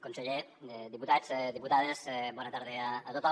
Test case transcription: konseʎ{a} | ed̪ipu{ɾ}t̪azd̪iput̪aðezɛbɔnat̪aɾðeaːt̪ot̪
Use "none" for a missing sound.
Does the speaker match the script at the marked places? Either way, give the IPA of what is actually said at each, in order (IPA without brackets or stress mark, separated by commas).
e, none